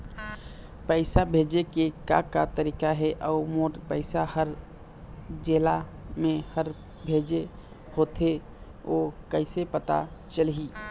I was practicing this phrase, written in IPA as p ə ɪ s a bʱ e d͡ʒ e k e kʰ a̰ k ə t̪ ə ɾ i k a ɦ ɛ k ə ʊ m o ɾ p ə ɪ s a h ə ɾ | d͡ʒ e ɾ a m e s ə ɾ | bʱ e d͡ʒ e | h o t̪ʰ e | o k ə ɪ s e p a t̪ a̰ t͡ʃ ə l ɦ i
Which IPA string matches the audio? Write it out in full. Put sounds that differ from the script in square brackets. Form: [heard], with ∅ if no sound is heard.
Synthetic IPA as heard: p ə ɪ s a bʱ e d͡ʒ e k e [k] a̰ k [a] t̪ ə ɾ i k a ɦ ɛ [ʔ] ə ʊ m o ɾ p ə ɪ s a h ə ɾ | d͡ʒ e [l] a m e [h] ə ɾ | bʱ e d͡ʒ e | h o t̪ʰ e | o k ə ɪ s e p [ə] t̪ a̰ t͡ʃ ə l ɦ i